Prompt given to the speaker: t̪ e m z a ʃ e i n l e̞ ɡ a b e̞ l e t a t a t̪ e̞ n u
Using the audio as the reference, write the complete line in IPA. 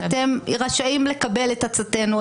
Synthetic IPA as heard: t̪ e m ʁ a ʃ a i m l e̞ k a b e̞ l e t a t͡s a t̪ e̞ n u